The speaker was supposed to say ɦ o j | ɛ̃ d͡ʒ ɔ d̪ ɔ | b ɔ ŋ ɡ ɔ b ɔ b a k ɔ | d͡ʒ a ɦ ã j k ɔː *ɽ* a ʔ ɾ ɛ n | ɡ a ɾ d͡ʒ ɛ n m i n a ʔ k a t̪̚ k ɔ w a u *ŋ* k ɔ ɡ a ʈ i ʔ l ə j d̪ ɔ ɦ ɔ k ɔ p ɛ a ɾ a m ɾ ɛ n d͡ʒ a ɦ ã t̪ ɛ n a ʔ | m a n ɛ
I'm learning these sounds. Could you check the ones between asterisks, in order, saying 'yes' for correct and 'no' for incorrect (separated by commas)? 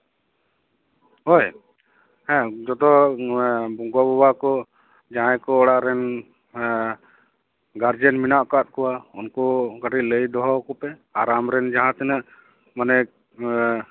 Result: yes, no